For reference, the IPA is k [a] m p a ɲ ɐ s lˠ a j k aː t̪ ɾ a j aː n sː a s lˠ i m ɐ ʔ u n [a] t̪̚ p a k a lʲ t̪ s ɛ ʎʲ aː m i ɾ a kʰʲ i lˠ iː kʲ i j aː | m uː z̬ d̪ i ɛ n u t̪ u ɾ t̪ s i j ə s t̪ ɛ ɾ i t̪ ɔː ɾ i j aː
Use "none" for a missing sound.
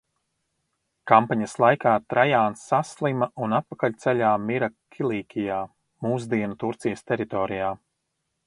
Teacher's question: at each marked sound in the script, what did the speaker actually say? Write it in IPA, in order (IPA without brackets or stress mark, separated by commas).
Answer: a, a